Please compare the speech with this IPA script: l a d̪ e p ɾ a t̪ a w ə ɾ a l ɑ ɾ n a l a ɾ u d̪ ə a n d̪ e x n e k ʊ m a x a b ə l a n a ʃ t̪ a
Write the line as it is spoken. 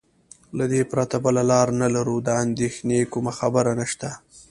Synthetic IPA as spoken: l a d̪ e p ɾ a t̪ a b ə l a l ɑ ɾ n a l a ɾ u d̪ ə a n d̪ e x n e k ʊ m a x a b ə ɾ a n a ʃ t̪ a